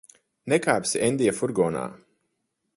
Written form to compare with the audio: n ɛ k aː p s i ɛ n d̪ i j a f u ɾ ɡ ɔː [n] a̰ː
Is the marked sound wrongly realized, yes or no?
no